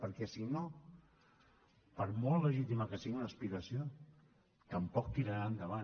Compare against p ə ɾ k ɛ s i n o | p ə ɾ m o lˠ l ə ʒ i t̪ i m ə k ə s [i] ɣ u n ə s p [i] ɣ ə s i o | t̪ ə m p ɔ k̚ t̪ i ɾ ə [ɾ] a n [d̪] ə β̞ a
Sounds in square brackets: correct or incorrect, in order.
correct, correct, correct, correct

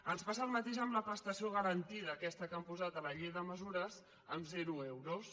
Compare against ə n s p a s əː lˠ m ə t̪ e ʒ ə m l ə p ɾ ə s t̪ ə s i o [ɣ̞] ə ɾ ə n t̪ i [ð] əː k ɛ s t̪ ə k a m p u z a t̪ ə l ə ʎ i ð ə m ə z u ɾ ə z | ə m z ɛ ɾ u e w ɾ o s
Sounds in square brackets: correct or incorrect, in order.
correct, correct

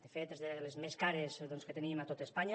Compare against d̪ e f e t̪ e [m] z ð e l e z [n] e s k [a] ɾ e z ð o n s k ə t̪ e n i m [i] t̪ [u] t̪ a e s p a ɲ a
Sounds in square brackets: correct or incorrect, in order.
incorrect, incorrect, correct, incorrect, incorrect

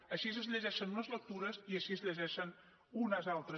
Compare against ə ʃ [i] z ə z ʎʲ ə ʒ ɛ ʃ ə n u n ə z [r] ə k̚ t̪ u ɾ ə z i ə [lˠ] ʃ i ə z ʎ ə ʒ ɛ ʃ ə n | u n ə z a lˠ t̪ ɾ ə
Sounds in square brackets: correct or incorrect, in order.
correct, incorrect, incorrect

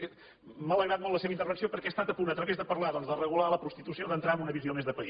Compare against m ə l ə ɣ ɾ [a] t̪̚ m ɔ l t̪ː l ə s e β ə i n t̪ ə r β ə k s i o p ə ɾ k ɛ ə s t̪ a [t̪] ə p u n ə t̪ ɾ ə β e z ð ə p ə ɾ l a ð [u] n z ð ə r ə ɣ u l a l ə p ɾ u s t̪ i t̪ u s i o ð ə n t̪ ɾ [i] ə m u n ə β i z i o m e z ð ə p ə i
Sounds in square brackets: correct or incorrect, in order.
correct, correct, incorrect, incorrect

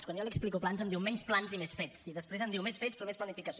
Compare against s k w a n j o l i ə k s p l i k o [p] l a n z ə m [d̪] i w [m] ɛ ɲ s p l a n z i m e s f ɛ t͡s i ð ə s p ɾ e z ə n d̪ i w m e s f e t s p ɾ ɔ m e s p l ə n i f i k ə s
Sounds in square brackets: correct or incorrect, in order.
correct, correct, correct

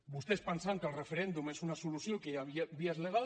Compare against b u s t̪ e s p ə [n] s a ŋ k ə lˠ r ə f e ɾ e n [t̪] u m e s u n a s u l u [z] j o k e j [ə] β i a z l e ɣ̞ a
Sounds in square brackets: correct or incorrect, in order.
correct, incorrect, incorrect, incorrect

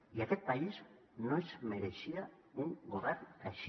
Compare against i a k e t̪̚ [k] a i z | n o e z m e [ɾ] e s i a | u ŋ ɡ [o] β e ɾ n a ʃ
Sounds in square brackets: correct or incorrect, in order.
incorrect, correct, correct

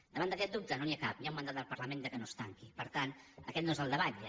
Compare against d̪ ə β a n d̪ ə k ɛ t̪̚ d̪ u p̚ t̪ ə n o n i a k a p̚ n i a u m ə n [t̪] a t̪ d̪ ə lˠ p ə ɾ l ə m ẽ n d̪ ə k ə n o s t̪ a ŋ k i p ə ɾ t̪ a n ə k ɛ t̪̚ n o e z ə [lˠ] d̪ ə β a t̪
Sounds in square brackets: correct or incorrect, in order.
incorrect, correct

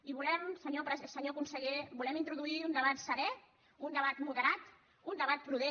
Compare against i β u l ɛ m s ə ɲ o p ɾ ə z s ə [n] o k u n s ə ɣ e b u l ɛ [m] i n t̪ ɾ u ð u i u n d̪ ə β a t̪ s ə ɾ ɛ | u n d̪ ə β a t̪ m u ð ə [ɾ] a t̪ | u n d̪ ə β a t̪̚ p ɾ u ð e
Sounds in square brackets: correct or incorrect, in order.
incorrect, correct, correct

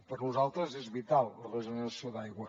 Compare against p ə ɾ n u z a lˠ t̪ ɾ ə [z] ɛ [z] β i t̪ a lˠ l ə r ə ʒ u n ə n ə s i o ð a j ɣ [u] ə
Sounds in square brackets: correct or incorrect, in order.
correct, correct, incorrect

